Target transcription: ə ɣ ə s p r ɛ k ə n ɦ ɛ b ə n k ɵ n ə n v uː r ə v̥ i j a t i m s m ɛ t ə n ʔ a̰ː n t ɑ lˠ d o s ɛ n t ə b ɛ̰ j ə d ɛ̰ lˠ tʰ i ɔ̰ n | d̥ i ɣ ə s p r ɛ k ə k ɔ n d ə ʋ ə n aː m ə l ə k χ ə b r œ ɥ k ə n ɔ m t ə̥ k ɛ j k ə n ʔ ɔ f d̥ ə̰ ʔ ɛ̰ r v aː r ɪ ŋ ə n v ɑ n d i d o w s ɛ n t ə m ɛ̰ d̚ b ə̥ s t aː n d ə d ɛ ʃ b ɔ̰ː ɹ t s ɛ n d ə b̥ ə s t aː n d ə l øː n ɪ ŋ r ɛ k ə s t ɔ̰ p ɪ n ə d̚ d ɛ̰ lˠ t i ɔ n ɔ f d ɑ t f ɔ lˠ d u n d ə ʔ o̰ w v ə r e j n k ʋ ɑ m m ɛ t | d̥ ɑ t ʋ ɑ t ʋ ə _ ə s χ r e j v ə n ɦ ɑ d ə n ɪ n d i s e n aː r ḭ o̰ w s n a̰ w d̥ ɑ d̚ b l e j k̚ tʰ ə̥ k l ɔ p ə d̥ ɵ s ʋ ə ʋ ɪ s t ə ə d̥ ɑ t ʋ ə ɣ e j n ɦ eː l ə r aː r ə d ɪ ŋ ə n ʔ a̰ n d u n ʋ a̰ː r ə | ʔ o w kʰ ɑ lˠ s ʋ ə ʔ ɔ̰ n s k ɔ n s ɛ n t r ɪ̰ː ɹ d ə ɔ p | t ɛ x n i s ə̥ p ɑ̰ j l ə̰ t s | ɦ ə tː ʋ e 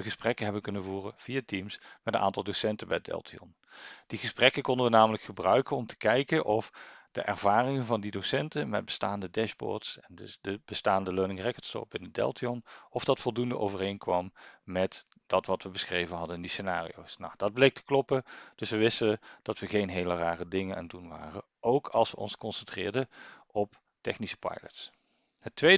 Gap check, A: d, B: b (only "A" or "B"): B